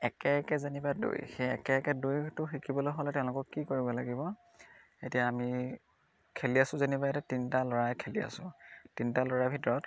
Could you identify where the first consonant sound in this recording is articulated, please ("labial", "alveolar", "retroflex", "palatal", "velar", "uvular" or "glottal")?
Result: velar